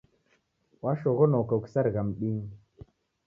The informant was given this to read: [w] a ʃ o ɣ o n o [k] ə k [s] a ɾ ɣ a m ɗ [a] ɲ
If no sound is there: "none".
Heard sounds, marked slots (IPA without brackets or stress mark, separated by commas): w, k, s, i